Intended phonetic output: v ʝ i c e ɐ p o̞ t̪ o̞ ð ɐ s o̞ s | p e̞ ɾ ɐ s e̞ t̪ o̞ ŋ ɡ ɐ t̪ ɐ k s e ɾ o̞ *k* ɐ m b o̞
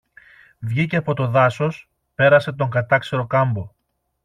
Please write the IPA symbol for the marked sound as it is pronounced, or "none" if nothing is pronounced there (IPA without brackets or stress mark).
k